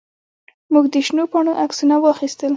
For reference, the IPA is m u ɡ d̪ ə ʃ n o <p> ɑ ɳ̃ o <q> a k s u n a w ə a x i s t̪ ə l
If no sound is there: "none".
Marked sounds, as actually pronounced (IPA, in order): p, ʔ

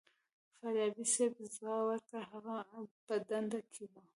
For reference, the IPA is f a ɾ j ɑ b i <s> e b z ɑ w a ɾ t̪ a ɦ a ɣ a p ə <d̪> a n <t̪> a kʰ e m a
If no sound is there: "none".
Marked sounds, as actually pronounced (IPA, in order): s, d̪, d̪

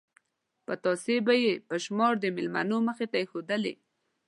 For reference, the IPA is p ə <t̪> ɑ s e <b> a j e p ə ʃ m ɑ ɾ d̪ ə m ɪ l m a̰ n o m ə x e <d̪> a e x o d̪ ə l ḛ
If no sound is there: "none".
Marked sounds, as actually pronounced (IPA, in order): t̪, b, t̪

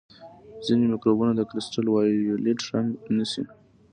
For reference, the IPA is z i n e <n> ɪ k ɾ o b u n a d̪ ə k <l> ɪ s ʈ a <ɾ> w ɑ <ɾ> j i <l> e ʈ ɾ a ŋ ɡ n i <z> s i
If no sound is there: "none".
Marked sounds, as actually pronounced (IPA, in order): m, ɾ, l, none, l, none

